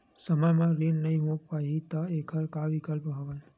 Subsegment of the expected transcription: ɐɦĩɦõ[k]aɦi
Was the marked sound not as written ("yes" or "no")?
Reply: yes